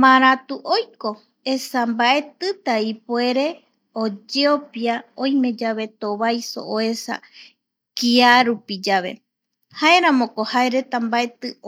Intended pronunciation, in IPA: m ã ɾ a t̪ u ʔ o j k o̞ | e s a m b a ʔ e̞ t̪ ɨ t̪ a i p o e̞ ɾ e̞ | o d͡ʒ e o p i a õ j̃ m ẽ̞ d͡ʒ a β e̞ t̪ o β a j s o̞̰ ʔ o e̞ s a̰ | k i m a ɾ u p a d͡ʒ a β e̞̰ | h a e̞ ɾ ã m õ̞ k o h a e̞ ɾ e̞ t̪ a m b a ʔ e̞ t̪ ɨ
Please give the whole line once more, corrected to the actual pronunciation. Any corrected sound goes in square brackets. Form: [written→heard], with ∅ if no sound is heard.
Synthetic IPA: m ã ɾ a t̪ u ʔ o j k o̞ | e s a m b a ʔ e̞ t̪ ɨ t̪ a i p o e̞ ɾ e̞ | o d͡ʒ e o p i a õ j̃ m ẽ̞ d͡ʒ a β e̞ t̪ o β a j s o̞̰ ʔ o e̞ s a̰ | k i [m→∅] a ɾ u p [a→i] d͡ʒ a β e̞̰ | h a e̞ ɾ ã m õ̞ k o h a e̞ ɾ e̞ t̪ a m b a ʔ e̞ t̪ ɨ